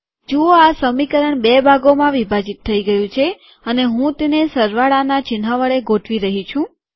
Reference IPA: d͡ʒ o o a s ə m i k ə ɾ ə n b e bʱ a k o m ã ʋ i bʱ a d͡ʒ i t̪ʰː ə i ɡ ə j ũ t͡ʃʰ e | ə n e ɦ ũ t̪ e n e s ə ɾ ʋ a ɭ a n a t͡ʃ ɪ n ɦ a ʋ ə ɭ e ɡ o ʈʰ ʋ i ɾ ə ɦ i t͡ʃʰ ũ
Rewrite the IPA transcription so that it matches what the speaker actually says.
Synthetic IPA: d͡ʒ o o a s ə m i k ə ɾ ə ɳ b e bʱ a ɡ o m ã ʋ i bʱ a d͡ʒ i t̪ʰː ə i ɡ ə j ũ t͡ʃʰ e | ə n e ɦ ũ t̪ e n e s ə ɾ ʋ a ɭ a n a t͡ʃ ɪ n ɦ a ʋ ə ɭ e ɡ o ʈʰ ʋ i ɾ ə ɦ i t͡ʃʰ ũ